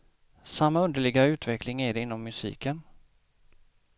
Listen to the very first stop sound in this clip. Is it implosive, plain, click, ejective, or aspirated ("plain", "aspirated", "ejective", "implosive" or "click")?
plain